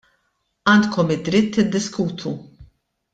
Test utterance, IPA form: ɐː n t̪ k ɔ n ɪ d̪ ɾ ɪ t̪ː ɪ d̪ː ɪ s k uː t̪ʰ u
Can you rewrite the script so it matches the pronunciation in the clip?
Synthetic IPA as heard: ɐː n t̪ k ɔ m ɪ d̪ ɾ ɪ t̪ː ɪ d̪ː ɪ s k uː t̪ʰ u